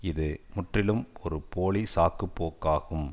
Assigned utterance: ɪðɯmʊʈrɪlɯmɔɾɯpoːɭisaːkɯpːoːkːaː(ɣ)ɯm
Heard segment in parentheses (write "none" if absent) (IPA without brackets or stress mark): ɣ